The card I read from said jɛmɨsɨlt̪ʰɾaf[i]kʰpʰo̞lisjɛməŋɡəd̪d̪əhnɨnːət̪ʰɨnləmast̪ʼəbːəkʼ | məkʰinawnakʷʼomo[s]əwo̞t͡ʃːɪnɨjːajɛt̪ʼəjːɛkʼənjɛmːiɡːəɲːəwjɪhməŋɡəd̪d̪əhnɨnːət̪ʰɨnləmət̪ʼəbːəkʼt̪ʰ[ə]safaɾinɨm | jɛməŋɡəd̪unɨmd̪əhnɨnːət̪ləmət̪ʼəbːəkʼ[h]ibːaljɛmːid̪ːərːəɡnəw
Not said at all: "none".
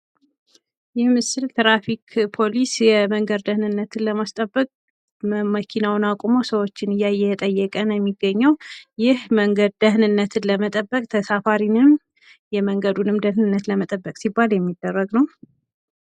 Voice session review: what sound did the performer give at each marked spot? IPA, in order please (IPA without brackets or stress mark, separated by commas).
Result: i, s, ə, s